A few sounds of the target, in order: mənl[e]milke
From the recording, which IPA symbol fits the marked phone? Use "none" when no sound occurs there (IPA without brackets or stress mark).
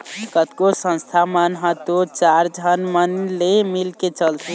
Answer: e